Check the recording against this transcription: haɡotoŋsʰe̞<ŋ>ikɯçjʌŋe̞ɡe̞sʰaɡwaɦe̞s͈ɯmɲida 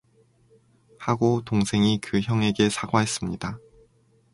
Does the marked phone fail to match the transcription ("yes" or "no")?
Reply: no